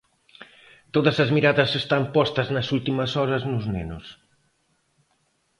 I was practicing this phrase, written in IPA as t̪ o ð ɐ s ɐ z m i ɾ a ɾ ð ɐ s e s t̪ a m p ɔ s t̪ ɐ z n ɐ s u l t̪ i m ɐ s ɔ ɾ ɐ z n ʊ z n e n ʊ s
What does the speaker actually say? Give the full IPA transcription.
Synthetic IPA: t̪ o ð ɐ s ɐ z m i ɾ a ð ɐ s e s t̪ a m p ɔ s t̪ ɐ z n ɐ s u l t̪ i m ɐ s ɔ ɾ ɐ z n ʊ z n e n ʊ s